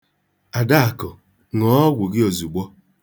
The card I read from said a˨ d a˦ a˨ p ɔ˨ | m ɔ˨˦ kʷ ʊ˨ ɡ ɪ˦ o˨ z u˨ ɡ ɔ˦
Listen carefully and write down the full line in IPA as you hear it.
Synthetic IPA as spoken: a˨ d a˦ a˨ k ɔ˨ | ŋ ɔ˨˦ ɡʷ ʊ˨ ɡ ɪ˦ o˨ z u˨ ɡ͡b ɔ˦